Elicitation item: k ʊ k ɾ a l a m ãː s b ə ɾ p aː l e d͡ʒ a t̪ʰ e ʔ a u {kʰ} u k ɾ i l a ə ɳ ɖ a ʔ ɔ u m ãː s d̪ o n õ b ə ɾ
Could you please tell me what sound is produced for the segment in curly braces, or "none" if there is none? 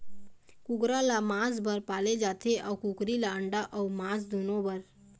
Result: k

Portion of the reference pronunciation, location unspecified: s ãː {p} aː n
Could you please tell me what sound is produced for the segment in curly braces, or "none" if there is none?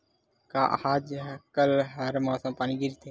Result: p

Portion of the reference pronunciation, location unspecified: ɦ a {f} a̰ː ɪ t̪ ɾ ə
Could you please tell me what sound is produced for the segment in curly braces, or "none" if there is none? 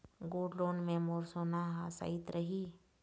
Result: s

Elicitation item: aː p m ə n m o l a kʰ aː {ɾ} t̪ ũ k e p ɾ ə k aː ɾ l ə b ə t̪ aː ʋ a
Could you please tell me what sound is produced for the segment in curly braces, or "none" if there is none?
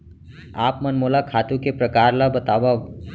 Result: none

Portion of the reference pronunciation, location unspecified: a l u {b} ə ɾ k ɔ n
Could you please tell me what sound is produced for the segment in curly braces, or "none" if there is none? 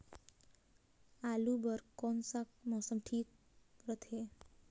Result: b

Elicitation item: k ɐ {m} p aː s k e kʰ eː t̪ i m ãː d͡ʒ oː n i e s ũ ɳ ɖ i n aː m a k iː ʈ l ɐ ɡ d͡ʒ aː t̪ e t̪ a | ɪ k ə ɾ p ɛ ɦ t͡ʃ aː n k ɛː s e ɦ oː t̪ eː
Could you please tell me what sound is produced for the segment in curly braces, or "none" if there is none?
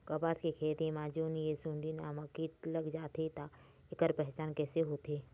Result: none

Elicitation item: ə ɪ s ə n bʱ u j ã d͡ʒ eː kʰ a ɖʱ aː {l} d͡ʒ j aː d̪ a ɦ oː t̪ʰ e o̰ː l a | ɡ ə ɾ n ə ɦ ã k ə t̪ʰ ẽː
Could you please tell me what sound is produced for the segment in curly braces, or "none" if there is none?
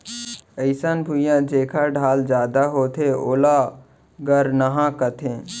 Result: l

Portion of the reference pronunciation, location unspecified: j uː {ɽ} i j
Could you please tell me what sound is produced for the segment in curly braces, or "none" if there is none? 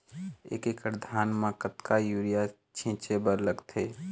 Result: ɾ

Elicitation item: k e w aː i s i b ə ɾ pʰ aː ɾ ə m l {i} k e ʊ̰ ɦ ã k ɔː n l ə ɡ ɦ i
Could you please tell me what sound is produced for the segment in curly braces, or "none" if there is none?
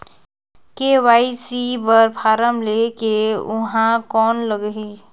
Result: e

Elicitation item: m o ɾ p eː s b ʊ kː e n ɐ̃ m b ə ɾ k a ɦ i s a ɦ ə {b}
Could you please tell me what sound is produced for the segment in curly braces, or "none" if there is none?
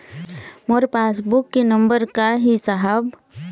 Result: b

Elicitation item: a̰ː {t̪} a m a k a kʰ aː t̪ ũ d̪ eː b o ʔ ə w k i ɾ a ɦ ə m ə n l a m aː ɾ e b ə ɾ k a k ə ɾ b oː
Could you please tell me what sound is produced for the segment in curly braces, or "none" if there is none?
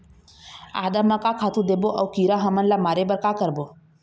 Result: d̪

